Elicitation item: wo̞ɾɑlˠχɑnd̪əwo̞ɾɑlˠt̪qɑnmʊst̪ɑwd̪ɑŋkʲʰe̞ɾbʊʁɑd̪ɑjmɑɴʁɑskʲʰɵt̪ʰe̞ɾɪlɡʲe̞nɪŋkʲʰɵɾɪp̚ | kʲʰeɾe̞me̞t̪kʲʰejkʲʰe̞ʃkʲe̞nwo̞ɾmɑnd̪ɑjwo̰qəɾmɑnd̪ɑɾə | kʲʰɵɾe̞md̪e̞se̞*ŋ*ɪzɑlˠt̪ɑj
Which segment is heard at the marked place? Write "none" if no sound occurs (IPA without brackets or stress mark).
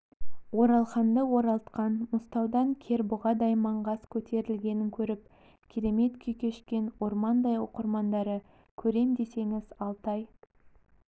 ŋ